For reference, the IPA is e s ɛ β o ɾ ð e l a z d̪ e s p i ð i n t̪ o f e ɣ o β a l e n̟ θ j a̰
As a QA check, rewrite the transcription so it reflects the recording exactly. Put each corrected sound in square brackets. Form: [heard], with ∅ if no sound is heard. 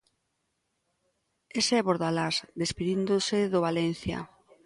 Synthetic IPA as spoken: e s ɛ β o ɾ ð [a] l a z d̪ e s p i ð i n [d̪] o [s] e [ð] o β a l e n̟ θ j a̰

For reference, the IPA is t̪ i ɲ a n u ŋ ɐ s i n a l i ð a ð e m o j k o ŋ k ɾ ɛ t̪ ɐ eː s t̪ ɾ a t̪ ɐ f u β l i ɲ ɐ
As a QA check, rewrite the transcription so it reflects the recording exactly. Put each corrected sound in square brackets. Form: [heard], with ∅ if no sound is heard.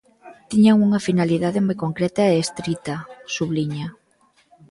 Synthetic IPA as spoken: t̪ i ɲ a [ŋ] u ŋ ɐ [f] i n a l i ð a ð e m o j k o ŋ k ɾ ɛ t̪ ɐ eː s t̪ ɾ [i] t̪ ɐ [s] u β l i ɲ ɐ

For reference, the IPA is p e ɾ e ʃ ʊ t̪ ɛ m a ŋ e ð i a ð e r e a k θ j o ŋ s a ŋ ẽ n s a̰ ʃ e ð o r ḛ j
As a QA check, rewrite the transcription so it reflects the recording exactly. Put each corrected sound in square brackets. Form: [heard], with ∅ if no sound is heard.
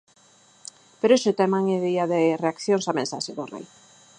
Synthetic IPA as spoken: p e ɾ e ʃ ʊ t̪ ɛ m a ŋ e ð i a ð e r e a k θ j o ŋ s a [m] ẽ n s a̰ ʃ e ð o r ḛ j

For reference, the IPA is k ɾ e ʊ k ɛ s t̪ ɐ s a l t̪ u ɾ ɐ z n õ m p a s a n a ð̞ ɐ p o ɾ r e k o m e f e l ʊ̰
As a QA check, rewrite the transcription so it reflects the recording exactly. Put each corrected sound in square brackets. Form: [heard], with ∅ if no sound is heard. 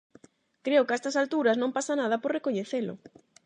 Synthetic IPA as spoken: k ɾ e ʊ k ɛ s t̪ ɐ s a l t̪ u ɾ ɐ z n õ m p a s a n a ð̞ ɐ p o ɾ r e k o [ɲ] e [θ] e l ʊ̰

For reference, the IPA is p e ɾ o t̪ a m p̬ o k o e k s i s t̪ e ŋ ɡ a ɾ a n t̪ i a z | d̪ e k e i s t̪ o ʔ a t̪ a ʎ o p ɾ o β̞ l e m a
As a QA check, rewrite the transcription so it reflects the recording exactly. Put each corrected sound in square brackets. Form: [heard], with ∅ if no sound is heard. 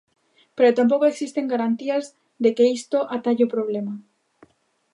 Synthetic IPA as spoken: p e ɾ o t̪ a m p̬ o k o e k s i s t̪ e ŋ ɡ a ɾ a n t̪ i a z | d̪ e k e i s t̪ o ʔ a t̪ a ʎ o p ɾ o β̞ l e m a

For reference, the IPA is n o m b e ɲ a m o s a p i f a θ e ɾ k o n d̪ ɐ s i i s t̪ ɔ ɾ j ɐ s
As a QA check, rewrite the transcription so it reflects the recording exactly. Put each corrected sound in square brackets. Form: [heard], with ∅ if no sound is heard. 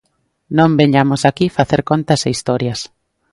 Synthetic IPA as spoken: n [õ] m b e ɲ a m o s a [k] i f a θ e ɾ k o n [t̪] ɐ s [e] i s t̪ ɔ ɾ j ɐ s

